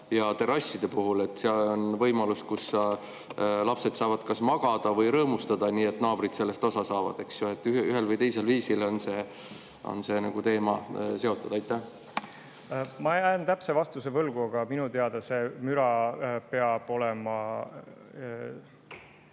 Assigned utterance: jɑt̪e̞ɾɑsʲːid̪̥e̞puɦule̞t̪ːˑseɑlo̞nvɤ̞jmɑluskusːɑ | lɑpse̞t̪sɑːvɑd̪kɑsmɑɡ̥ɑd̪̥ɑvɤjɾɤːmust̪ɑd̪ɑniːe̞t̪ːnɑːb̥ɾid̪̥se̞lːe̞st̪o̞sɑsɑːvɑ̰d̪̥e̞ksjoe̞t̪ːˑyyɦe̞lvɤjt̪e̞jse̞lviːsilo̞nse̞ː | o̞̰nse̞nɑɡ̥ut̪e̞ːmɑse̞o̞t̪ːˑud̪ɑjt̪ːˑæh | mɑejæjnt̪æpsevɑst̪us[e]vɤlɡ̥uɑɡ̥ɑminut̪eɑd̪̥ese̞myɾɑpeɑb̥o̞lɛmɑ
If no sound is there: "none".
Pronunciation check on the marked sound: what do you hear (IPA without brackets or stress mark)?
e